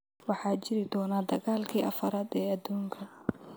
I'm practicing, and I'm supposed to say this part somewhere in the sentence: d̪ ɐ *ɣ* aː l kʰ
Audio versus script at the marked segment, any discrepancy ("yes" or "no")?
no